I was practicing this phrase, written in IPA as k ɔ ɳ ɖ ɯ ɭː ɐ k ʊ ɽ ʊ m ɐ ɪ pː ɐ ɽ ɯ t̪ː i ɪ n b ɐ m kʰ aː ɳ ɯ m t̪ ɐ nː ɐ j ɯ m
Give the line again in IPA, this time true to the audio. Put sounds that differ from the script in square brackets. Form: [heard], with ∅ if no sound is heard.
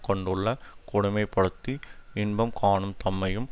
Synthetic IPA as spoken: k ɔ ɳ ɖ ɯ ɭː ɐ k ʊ ɽ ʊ m ɐ ɪ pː ɐ ɽ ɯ t̪ː i ɪ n b ɐ m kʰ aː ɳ ɯ m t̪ ɐ [mː] ɐ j ɯ m